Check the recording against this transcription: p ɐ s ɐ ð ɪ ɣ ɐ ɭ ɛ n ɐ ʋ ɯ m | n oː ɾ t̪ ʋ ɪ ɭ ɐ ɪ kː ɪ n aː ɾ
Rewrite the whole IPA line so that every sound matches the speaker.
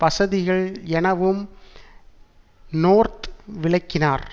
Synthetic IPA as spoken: p ɐ s ɐ ð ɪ ɣ ɐ ɭ ɛ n ɐ ʋ ɯ m | n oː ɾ t̪ ʋ ɪ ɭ ɐ ɪ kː ɪ n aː ɾ